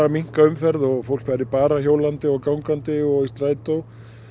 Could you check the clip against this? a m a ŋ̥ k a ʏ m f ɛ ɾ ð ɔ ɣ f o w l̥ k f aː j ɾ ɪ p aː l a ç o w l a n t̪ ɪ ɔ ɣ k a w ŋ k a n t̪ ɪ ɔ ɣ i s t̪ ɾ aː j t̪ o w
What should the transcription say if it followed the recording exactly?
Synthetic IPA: a m i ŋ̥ k a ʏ m f ɛ ɾ ð ɔ ɣ f o w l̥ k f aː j ɾ ɪ p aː ɾ a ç o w l a n t̪ ɪ ɔ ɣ k a w ŋ k a n t̪ ɪ ɔ ɣ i s t̪ ɾ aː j t̪ o w

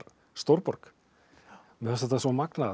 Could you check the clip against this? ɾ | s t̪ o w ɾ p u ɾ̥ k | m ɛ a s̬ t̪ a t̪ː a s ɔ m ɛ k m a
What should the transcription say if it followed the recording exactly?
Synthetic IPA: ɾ | s t̪ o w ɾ p ɔ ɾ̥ k | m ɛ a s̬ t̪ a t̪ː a s ɔ m a k n a

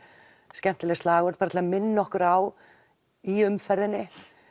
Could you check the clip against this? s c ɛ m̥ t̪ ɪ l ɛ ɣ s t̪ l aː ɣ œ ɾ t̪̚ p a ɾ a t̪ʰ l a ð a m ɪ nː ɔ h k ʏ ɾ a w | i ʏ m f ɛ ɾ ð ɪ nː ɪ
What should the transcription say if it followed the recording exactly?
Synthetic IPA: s c ɛ m̥ t̪ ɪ l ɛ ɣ s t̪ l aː ɣ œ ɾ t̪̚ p a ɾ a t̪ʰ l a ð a m ɪ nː ɔ h k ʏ ɾ a w | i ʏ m f ɛ ɾ ð ɪ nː ɪ

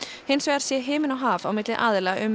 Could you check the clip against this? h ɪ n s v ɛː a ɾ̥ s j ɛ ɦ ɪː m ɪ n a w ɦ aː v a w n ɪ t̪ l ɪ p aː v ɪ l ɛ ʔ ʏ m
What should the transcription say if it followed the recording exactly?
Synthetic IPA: h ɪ n s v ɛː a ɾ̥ s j ɛ ɦ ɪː m ɪ n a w ɦ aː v a w m ɪ t̪ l ɪ ʔ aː ð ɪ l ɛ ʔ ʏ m

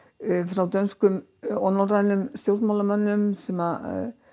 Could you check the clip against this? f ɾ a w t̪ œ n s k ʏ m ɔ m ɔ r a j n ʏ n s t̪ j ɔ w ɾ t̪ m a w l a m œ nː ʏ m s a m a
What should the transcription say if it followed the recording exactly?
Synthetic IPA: f ɾ a w t̪ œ n s k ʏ m ɔ n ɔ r a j n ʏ m s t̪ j o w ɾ t̪ m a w l a m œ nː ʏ m s ɛ m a

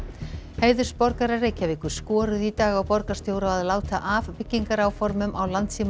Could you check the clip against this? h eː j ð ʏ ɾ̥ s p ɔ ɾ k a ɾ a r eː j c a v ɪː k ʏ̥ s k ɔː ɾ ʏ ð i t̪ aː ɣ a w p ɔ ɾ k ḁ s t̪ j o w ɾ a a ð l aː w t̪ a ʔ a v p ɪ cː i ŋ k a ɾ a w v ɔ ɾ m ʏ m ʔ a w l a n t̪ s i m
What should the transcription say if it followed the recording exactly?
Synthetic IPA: h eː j ð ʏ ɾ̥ s p ɔ ɾ k a ɾ a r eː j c a v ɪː k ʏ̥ s k ɔː ɾ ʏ ð i t̪ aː ɣ a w p ɔ ɾ k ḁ s t̪ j o w ɾ a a ð l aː w t̪ a ʔ a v p ɪ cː i ŋ k a ɾ a w f ɔ ɾ m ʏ m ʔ a w l a n t̪ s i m

